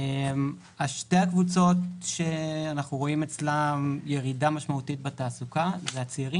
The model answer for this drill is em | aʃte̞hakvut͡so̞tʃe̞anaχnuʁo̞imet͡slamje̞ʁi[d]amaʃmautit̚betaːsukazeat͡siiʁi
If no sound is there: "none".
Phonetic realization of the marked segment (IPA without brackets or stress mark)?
d